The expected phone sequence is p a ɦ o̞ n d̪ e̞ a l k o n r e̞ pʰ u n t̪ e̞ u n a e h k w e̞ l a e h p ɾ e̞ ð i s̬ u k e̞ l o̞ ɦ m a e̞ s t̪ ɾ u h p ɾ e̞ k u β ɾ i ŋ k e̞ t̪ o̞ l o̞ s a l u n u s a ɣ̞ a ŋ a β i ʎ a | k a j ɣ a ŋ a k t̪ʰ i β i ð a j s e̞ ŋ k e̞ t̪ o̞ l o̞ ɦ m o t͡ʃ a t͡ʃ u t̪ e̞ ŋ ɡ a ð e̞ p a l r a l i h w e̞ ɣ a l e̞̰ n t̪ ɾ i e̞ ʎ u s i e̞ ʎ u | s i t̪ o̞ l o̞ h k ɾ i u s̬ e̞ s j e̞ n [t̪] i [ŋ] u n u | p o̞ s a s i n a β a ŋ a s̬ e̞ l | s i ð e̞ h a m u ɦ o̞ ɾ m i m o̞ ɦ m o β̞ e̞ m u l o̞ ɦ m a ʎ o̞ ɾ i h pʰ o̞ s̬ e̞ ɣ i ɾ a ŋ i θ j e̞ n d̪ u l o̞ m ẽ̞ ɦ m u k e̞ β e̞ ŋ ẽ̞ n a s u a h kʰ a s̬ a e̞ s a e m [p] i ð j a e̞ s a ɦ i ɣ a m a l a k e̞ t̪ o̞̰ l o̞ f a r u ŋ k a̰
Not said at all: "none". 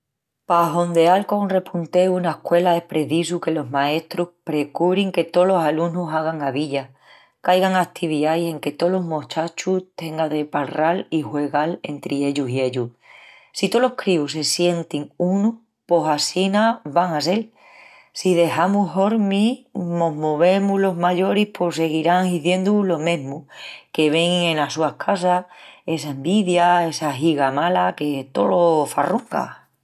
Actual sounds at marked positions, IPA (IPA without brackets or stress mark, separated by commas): t̪, ŋ, b